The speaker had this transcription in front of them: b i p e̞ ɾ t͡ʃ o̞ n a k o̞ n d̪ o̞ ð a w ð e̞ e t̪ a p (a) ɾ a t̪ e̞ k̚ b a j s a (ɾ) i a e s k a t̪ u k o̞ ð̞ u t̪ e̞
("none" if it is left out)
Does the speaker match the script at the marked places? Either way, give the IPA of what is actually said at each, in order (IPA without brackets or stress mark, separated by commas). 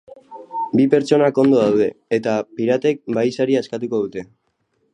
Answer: i, ɾ